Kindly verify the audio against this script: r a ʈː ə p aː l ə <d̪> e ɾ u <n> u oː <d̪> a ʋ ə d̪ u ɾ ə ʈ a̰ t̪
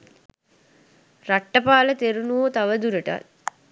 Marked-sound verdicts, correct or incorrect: incorrect: t̪, correct, incorrect: t̪

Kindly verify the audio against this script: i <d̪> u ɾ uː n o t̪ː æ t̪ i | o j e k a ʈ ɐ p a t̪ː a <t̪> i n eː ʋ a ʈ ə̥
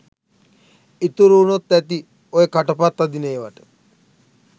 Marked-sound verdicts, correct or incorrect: incorrect: t̪, incorrect: d̪

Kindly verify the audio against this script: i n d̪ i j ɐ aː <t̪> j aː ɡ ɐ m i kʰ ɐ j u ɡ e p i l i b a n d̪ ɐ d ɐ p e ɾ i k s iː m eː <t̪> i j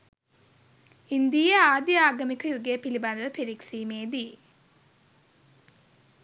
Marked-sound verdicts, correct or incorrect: incorrect: d̪, incorrect: d̪

